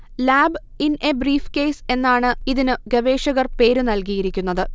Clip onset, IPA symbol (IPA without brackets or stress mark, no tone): l